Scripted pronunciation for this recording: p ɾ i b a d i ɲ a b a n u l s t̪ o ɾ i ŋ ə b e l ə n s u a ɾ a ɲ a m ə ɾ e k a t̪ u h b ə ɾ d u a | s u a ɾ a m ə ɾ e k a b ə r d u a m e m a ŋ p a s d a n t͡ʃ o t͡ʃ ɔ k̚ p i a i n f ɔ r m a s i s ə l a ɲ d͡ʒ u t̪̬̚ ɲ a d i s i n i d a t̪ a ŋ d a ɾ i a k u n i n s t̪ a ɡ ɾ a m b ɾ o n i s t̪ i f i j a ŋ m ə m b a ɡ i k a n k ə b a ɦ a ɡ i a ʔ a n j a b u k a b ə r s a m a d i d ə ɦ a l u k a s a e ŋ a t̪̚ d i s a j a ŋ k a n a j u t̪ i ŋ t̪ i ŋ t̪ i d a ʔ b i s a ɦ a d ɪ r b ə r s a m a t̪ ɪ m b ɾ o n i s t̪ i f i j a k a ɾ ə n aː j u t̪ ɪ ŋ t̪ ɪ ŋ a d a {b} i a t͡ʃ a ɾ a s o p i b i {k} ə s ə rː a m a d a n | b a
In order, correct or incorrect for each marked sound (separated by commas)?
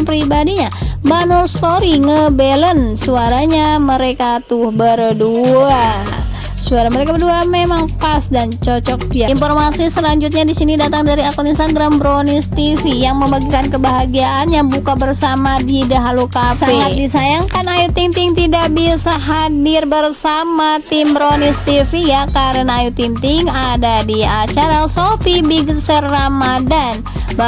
incorrect, incorrect